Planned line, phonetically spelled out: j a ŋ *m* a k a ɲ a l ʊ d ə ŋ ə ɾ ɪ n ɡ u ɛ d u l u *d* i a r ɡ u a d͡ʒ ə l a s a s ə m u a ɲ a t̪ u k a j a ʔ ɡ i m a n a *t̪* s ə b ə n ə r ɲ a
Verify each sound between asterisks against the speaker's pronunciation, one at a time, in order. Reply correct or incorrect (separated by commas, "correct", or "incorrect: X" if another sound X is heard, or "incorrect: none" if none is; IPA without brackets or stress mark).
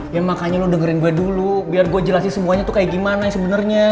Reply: correct, incorrect: b, incorrect: none